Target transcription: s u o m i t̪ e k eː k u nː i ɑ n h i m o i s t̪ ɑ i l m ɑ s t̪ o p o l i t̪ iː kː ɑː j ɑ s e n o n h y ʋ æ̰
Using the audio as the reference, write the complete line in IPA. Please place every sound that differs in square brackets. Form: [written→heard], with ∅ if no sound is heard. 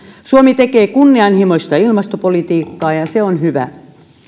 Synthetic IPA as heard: s u o m i t̪ e k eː k u nː i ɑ n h i m o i s t̪ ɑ i l m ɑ s t̪ o p o l i t̪ iː kː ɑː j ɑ s e [n→∅] o n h y ʋ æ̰